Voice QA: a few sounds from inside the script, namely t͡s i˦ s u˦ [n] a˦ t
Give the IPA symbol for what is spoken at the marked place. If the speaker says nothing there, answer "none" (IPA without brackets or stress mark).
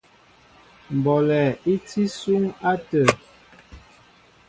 ŋ